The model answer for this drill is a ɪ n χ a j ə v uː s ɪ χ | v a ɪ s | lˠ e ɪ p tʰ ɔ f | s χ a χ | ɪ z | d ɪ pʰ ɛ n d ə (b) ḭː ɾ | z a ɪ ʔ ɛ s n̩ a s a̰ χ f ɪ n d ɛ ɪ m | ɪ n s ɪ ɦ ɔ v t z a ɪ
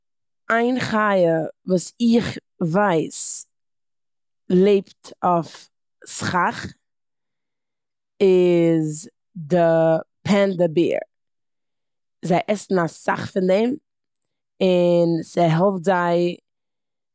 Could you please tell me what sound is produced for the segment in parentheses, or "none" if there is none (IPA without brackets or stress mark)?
b